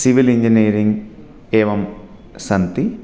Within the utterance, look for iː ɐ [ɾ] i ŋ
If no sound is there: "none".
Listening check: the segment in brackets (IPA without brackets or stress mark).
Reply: ɾ